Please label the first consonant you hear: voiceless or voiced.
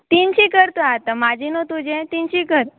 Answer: voiceless